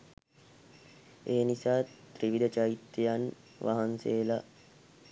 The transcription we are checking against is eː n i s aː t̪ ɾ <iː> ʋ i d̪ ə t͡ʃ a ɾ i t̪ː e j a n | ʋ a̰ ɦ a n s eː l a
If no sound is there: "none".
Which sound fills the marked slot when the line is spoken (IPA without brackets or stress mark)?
i